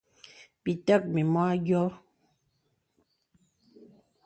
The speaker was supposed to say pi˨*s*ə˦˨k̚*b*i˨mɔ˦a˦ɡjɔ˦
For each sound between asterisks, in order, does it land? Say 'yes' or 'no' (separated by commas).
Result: no, no